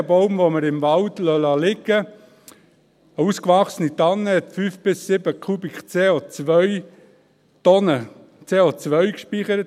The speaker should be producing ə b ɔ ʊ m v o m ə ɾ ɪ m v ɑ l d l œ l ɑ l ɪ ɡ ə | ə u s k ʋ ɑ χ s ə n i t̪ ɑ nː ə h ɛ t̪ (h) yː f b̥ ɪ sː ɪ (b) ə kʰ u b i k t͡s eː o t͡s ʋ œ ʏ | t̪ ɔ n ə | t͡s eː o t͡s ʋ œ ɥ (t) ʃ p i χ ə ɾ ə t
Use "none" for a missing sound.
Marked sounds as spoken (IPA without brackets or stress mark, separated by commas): f, b, k